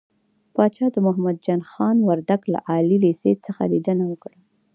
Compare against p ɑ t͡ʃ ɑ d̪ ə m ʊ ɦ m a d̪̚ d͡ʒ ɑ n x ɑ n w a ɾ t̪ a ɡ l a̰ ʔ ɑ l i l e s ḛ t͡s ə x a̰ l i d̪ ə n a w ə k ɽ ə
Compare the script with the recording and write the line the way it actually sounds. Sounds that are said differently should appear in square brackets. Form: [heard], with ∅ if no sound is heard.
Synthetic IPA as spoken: p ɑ t͡ʃ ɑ d̪ ə m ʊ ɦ m a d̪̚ d͡ʒ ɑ n x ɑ n w a ɾ [d̪] a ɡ l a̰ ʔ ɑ l i l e s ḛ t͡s ə x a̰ l i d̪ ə n a w ə k ɽ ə